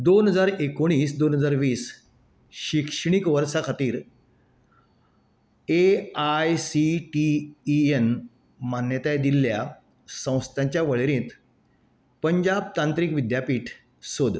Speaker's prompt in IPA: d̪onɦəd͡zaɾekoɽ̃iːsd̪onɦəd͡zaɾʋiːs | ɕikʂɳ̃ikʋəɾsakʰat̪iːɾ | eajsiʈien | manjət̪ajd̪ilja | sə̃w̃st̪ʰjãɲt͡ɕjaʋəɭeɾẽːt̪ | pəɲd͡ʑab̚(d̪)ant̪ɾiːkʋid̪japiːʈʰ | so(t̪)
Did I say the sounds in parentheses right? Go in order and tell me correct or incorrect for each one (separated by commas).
incorrect, incorrect